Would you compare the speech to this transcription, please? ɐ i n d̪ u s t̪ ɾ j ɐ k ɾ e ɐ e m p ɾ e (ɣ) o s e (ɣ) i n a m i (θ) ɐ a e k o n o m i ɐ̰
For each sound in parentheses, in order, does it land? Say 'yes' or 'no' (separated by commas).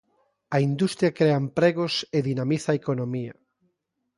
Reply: yes, no, yes